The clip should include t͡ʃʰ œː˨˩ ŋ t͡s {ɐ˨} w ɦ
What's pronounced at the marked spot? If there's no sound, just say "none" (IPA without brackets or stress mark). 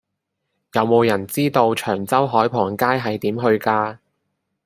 ɐ˥